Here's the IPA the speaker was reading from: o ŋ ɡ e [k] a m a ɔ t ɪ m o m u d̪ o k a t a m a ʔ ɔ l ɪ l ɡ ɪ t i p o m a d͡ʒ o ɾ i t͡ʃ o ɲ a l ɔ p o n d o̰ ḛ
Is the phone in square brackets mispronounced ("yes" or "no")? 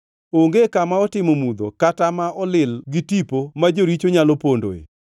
no